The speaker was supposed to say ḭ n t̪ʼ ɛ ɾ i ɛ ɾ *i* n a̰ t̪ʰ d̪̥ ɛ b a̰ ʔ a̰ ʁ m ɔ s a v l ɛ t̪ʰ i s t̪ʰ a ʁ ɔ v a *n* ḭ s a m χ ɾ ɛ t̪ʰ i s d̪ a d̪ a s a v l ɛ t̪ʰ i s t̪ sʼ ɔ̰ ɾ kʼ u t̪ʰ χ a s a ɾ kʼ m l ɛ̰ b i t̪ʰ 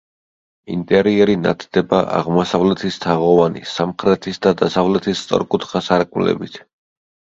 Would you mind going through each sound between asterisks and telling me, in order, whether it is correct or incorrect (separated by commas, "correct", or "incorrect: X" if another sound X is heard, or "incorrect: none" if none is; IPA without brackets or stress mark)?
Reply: correct, correct